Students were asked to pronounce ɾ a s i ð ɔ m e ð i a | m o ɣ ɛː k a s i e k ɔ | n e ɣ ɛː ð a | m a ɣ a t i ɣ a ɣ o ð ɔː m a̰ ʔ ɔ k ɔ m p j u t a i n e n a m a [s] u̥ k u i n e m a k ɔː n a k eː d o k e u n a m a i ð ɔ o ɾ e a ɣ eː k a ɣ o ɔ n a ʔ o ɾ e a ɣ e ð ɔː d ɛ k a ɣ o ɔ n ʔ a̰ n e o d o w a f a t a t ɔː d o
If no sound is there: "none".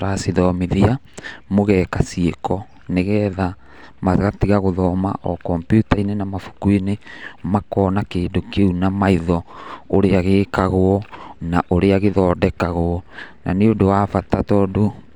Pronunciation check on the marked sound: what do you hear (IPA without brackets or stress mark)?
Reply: f